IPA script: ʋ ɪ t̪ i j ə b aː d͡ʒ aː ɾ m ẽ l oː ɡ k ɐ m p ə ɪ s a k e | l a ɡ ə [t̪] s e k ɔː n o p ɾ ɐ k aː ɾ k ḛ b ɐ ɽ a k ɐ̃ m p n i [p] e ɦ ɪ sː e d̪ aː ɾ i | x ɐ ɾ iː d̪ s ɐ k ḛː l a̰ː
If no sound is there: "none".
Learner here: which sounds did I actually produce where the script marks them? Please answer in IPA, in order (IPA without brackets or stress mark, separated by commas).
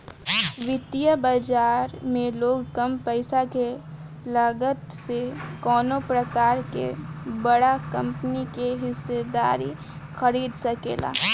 t̪, k